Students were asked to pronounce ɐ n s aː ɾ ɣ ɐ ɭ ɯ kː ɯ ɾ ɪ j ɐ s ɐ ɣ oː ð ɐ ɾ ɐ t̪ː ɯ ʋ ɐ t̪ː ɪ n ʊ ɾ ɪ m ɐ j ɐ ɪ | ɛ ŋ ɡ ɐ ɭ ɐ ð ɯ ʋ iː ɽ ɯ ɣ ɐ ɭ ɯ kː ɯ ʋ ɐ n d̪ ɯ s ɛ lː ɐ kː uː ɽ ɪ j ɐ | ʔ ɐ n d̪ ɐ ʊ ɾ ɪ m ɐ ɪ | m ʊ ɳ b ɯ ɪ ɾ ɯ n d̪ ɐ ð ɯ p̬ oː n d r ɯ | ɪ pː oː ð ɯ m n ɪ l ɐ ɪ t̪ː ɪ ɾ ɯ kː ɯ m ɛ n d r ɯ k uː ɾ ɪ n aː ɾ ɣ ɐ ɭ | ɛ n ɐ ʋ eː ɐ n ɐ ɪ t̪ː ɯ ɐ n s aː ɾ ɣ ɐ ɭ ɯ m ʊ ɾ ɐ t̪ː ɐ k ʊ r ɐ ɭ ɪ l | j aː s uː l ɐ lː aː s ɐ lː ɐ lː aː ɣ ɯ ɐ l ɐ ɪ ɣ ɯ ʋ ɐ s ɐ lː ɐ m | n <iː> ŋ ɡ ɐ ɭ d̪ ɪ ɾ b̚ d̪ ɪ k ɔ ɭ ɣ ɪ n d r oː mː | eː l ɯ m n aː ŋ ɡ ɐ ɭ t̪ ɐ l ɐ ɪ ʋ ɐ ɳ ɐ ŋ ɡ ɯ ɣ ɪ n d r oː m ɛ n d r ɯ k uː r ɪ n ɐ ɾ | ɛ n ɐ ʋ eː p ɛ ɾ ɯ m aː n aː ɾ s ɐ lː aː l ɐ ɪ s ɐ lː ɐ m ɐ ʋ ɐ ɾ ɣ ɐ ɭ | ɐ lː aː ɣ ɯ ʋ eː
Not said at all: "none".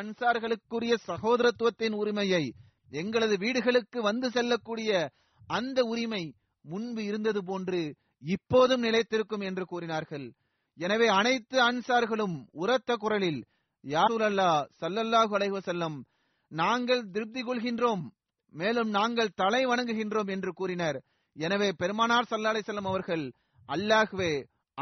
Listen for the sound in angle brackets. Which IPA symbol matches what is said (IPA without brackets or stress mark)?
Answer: aː